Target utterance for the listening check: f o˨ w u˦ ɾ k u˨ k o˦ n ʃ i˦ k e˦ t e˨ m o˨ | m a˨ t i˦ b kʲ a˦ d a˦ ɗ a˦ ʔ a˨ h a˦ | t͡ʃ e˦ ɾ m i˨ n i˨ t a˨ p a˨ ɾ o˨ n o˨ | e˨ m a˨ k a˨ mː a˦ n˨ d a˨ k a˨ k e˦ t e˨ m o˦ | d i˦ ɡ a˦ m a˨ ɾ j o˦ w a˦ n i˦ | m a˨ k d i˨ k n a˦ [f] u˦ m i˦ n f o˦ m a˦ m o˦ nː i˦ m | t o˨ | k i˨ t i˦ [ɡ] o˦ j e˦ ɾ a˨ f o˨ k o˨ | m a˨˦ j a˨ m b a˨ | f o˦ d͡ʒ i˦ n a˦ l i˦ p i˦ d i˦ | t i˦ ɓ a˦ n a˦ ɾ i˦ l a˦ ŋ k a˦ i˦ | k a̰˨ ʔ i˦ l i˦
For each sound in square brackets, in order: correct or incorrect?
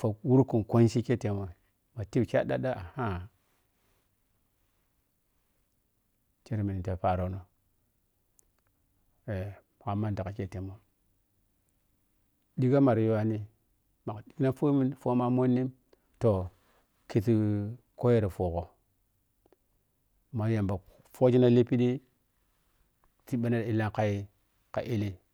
correct, incorrect

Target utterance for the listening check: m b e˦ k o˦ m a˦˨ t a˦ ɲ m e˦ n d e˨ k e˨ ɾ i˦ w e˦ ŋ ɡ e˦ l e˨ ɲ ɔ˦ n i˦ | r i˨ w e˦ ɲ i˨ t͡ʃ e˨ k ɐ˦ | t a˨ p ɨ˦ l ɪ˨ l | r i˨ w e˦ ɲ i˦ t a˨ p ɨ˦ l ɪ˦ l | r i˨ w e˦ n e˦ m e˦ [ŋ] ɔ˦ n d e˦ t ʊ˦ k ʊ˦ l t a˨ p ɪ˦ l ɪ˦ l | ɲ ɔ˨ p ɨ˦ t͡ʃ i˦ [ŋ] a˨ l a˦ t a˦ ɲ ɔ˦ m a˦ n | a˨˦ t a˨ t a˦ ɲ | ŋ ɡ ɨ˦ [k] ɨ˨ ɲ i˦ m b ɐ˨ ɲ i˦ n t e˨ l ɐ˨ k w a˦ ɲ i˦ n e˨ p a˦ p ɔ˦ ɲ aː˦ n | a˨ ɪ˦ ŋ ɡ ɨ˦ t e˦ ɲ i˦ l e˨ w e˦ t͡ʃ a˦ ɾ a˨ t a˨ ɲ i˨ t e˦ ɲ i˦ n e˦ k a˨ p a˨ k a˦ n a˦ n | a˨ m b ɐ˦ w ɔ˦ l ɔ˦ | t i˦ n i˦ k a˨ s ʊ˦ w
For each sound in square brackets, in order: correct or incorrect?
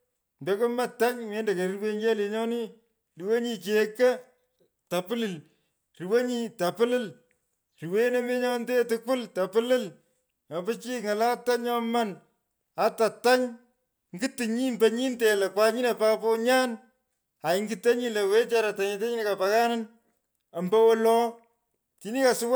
incorrect, correct, incorrect

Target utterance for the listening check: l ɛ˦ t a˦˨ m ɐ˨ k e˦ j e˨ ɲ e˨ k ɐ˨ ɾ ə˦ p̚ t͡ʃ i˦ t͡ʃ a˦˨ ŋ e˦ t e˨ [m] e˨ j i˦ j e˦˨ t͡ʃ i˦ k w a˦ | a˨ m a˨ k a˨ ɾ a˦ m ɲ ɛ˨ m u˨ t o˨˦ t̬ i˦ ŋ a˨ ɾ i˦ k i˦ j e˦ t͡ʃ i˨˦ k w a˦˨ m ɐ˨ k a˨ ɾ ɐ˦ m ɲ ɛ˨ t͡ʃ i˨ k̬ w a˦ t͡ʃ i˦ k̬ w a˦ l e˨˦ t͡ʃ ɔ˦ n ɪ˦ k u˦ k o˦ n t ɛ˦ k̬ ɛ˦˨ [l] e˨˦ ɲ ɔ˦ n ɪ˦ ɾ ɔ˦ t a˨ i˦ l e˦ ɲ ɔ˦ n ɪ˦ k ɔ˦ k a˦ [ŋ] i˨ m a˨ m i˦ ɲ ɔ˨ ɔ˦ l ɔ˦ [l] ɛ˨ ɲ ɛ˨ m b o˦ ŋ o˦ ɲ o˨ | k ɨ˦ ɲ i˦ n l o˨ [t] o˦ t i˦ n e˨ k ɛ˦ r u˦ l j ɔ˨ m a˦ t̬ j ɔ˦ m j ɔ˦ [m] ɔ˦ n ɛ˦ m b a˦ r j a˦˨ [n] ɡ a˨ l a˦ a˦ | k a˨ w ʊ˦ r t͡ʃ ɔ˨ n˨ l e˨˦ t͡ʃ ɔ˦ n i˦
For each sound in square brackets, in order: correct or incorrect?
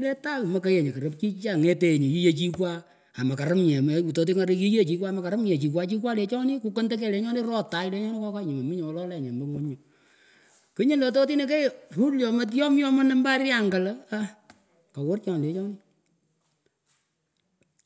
incorrect, correct, incorrect, correct, correct, correct, incorrect

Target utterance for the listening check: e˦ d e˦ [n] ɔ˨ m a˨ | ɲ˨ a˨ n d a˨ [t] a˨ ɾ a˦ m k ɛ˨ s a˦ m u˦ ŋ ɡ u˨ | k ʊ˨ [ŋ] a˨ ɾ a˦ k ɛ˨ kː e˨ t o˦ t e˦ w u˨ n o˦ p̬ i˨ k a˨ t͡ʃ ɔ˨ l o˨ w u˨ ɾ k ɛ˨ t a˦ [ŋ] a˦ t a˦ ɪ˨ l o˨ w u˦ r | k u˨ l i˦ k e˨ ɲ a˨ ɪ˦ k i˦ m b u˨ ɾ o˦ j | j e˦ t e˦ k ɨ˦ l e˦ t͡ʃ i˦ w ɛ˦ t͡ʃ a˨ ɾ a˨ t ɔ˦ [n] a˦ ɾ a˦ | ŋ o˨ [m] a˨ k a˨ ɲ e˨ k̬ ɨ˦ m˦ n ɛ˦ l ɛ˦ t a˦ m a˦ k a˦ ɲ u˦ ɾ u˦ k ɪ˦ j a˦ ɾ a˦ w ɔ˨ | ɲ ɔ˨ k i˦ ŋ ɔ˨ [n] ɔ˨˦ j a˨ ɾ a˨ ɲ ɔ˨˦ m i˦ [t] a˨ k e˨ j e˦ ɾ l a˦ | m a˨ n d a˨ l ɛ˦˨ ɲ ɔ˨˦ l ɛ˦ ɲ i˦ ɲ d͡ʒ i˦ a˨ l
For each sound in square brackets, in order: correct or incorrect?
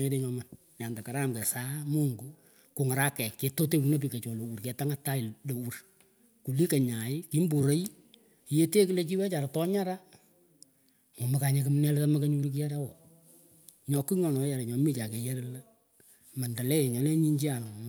incorrect, incorrect, correct, correct, incorrect, correct, correct, incorrect

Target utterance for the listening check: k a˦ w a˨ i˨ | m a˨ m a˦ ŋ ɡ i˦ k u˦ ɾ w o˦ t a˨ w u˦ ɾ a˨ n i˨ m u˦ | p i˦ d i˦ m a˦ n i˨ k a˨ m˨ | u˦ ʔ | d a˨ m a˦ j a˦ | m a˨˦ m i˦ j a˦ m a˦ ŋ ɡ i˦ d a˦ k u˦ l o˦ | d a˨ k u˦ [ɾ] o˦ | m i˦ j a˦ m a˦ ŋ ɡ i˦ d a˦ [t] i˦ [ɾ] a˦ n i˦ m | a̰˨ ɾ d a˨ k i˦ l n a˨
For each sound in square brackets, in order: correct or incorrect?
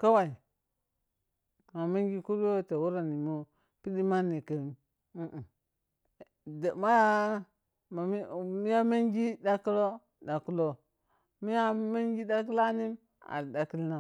incorrect, incorrect, incorrect

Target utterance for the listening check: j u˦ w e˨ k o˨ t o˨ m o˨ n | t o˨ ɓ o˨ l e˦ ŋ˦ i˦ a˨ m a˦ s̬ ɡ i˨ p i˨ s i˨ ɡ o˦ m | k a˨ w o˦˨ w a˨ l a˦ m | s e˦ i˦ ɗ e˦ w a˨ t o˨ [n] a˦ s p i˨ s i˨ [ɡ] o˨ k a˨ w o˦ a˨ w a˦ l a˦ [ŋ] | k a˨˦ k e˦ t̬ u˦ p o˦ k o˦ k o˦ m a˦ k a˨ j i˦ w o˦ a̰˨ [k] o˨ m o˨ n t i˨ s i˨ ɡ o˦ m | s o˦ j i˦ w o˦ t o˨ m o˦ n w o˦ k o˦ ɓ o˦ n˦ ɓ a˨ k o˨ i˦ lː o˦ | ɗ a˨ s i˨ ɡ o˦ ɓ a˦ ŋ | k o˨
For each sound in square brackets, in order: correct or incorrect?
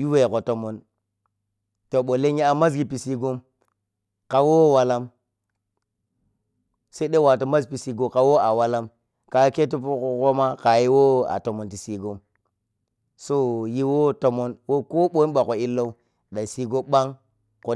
incorrect, correct, incorrect, incorrect

